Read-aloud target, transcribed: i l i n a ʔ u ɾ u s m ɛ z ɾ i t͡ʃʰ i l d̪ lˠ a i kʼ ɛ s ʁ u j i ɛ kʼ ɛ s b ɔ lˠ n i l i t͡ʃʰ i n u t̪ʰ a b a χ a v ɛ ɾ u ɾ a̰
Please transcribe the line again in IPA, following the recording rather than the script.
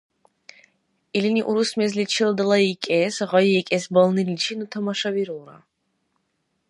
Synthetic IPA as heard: i l i n i ʔ u ɾ u s m ɛ z l i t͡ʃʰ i l d̪ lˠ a i kʼ ɛ s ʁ ɔ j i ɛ kʼ ɛ s b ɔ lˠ n i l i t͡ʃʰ i n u t̪ʰ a m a ʃ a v i ɾ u ɾ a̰